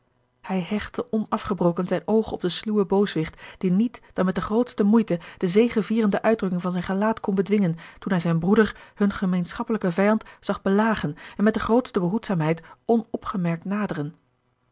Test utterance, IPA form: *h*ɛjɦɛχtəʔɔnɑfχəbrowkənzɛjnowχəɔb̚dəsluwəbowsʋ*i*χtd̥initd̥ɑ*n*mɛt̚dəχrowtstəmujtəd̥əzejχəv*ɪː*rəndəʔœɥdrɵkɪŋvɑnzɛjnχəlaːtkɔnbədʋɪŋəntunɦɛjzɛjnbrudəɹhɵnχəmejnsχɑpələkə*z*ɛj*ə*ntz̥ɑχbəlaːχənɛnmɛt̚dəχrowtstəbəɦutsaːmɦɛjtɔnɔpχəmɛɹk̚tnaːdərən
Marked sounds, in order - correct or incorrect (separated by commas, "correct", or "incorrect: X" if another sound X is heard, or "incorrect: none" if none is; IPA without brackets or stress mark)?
correct, incorrect: ɪ, correct, incorrect: iː, incorrect: v, incorrect: ɑ